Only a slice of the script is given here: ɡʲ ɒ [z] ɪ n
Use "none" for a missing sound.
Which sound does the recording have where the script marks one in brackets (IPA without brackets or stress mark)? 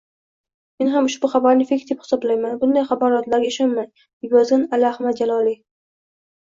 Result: z